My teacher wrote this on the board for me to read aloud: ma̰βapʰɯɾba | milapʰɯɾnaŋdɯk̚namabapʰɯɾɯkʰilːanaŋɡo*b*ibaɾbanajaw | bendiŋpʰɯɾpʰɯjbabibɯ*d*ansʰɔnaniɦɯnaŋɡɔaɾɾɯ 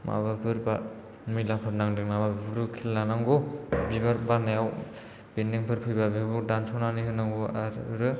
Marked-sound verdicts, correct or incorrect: correct, correct

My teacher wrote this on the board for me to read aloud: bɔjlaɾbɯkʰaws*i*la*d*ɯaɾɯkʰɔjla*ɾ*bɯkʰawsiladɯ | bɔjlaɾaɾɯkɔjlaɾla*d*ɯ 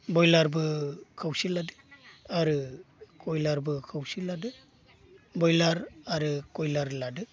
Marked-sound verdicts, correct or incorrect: correct, correct, correct, correct

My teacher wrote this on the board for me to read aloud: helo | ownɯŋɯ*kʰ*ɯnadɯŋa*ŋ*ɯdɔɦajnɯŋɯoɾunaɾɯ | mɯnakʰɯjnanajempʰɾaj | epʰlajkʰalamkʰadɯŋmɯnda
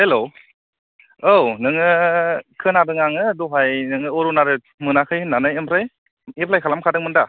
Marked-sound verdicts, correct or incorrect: correct, correct

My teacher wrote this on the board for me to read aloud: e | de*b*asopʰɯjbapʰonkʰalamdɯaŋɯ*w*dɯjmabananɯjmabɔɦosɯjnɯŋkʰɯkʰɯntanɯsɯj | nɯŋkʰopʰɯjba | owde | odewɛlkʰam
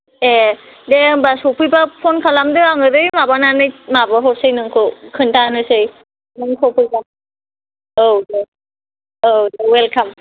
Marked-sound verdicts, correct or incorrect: correct, incorrect: none

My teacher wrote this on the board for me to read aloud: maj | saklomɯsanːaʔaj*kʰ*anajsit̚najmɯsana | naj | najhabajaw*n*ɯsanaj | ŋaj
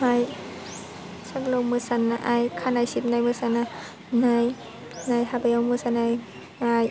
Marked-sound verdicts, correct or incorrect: correct, incorrect: m

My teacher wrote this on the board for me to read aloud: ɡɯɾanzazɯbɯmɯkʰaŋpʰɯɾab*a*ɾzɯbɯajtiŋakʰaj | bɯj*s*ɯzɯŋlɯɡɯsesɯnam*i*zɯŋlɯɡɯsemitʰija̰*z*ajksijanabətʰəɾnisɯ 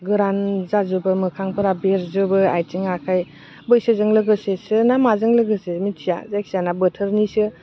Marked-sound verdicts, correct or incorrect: incorrect: e, correct, incorrect: a, correct

